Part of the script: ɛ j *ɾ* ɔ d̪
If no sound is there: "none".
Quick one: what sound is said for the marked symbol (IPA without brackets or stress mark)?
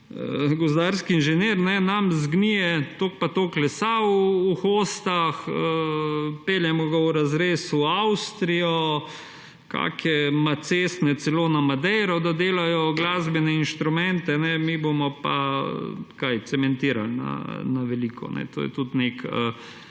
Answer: ɾ